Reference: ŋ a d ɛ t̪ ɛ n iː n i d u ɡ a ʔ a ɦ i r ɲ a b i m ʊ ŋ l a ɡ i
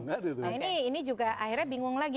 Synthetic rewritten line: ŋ a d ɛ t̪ i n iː n i d͡ʒ u ɡ a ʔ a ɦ i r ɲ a b i ŋ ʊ ŋ l a ɡ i